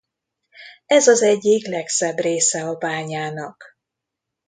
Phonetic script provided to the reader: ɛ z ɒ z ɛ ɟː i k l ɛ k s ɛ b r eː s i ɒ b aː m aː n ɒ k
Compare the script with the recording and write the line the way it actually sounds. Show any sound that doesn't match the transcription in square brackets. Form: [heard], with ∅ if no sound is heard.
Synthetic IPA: ɛ z ɒ z ɛ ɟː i k l ɛ k s ɛ b r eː s [ɛ] ɒ b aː [ɲ] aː n ɒ k